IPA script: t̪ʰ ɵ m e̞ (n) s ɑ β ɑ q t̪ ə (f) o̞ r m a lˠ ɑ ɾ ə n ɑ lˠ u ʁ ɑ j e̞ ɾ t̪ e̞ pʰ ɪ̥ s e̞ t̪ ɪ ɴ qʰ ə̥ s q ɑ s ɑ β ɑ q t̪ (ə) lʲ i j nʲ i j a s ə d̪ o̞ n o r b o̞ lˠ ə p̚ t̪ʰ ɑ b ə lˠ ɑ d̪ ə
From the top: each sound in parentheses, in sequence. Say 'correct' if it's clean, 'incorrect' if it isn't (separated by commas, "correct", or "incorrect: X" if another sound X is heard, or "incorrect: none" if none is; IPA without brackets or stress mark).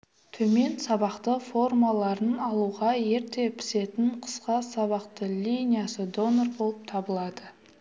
correct, correct, correct